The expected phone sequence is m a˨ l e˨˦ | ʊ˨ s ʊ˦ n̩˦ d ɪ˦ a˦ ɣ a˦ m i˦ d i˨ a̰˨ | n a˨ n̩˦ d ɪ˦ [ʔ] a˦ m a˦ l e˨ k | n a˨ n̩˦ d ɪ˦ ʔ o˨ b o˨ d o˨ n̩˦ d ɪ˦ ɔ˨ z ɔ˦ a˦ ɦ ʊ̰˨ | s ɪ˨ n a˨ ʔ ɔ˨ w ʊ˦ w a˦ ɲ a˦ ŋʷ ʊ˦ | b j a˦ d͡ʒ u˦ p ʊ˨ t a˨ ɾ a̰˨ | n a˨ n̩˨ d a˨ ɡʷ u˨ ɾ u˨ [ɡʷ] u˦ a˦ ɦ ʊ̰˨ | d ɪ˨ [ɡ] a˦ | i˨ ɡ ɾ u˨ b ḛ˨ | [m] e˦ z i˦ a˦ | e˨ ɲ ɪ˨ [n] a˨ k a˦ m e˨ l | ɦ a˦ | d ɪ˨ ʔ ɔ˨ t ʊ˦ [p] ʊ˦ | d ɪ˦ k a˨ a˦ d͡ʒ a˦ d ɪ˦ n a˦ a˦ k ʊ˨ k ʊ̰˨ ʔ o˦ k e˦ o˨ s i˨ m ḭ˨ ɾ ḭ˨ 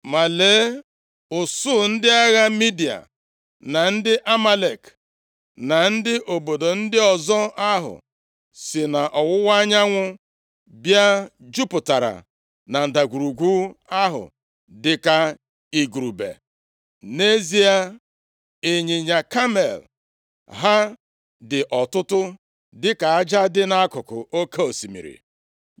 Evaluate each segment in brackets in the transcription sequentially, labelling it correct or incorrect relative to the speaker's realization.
correct, correct, incorrect: k, incorrect: n, incorrect: ɲ, incorrect: t

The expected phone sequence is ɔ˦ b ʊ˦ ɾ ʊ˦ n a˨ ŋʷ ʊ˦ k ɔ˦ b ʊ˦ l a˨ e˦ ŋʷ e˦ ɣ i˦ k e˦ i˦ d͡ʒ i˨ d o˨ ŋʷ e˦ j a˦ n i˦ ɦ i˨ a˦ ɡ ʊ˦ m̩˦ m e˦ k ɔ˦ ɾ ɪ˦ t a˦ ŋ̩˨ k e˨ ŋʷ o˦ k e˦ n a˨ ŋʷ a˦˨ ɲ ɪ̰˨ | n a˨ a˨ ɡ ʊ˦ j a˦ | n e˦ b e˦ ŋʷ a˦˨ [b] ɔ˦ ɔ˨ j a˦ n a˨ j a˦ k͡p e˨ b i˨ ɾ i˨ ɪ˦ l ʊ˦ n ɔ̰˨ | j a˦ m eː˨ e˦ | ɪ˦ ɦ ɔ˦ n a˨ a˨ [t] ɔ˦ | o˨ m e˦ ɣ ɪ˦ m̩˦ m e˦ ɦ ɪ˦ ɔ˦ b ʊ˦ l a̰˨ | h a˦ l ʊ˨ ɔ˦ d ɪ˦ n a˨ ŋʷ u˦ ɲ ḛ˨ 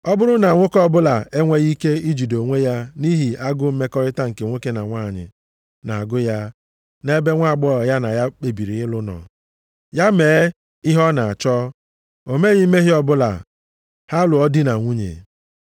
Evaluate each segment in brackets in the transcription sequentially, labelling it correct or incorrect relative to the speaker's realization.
incorrect: ɡ͡b, incorrect: t͡ʃ

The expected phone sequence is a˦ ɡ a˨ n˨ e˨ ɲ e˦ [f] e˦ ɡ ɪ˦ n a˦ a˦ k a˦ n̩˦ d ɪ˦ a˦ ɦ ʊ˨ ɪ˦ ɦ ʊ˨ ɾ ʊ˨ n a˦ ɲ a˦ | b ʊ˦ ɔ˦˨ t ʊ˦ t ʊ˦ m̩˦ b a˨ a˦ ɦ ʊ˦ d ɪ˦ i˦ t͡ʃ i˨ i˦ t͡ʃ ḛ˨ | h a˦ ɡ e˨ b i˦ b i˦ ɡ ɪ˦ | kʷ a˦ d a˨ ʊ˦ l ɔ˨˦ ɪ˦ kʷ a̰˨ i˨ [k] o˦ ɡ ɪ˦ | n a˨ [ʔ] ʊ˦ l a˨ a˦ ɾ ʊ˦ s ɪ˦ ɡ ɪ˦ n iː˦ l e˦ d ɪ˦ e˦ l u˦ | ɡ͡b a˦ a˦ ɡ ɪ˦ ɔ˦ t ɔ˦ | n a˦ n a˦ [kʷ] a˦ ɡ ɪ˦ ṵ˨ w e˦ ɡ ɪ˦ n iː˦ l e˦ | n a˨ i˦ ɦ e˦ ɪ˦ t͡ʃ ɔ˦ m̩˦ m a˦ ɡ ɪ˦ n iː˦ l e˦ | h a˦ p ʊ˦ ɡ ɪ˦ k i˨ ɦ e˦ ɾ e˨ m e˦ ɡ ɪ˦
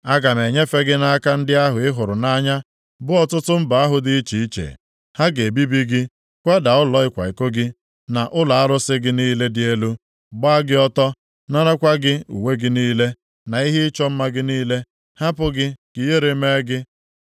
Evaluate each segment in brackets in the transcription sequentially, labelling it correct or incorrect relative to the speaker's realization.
correct, correct, correct, correct

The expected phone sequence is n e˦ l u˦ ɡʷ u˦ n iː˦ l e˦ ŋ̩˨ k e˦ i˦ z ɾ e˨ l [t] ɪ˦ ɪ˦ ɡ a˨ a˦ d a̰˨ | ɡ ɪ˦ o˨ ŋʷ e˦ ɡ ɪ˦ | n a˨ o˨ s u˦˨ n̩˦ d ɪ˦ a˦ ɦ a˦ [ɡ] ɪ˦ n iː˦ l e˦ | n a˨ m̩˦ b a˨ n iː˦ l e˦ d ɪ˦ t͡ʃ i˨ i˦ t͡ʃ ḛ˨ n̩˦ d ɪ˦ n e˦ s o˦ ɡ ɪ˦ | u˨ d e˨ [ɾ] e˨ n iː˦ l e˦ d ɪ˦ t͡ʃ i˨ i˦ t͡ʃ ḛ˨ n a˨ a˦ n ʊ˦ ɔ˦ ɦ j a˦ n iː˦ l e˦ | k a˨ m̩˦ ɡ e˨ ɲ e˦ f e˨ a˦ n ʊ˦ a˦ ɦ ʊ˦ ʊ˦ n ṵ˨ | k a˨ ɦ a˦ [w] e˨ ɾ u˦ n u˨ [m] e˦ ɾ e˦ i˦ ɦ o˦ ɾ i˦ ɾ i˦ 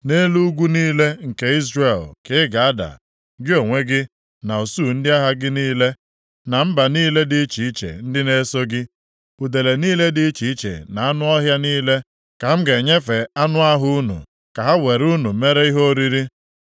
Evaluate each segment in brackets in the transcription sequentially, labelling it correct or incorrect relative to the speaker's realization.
incorrect: k, correct, incorrect: l, correct, correct

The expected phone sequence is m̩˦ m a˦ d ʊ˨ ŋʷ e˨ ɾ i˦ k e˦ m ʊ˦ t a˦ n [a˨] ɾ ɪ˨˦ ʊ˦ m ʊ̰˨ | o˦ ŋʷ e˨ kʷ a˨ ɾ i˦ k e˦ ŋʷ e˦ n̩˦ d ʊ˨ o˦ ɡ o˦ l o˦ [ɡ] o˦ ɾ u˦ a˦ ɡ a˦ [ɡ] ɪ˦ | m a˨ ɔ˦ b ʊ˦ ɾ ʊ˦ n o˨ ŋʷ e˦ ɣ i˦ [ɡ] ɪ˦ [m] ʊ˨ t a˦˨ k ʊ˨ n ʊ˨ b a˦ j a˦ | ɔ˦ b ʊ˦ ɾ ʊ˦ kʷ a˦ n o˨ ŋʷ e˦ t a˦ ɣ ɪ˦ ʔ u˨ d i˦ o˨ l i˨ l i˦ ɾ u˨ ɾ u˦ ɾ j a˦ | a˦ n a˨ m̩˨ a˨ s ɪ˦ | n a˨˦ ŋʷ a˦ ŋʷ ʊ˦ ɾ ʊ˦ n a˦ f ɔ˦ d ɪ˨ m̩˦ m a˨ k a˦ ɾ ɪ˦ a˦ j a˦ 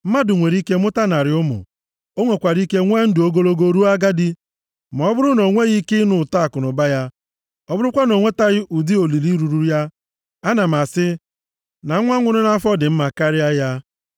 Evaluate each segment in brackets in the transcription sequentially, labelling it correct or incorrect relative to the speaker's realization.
correct, correct, incorrect: d, incorrect: k, incorrect: n

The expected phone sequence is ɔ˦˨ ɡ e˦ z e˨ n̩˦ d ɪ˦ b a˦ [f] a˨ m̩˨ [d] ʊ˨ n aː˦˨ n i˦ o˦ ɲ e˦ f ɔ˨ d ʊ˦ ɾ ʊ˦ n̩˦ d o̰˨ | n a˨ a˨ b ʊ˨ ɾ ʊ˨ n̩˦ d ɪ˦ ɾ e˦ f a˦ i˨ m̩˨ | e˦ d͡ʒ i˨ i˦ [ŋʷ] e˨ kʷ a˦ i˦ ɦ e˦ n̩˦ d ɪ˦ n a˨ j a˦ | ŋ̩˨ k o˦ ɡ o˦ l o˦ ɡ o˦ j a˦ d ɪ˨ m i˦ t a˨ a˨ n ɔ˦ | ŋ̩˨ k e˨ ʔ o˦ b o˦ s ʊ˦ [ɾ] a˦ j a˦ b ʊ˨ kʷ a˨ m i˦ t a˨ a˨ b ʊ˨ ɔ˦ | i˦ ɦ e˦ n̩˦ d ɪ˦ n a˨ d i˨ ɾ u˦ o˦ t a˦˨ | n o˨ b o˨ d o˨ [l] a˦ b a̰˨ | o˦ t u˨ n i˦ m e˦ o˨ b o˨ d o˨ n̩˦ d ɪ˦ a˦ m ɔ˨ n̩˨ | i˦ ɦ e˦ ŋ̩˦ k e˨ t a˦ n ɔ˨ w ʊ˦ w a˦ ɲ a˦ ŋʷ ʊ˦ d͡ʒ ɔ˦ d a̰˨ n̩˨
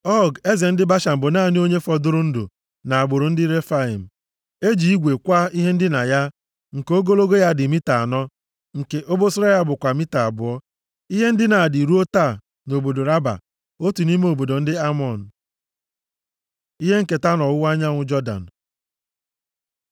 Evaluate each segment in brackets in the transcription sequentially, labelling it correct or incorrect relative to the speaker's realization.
incorrect: ʃ, incorrect: b, incorrect: ɡʷ, correct, incorrect: ɾ

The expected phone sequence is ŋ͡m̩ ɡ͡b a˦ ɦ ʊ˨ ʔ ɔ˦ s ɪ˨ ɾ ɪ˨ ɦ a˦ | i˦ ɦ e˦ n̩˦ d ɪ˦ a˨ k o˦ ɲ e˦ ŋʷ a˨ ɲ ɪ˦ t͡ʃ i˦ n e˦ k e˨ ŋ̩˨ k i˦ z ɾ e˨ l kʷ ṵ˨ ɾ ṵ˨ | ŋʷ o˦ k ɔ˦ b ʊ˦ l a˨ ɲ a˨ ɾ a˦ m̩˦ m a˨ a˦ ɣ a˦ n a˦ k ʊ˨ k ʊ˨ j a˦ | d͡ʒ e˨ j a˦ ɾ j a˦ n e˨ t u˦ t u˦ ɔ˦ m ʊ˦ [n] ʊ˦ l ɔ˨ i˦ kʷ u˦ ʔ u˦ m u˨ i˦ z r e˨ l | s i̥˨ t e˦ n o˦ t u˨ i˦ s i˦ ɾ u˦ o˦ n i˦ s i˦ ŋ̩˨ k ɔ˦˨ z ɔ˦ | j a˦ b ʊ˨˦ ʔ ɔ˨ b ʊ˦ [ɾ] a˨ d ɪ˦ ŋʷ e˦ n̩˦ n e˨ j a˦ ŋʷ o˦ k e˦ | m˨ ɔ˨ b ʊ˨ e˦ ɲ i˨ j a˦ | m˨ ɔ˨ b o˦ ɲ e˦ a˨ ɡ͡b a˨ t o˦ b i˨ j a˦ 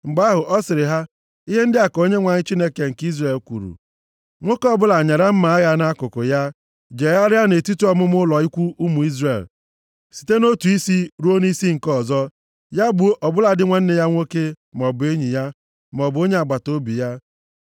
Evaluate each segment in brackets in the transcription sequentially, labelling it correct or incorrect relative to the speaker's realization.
incorrect: m, incorrect: l

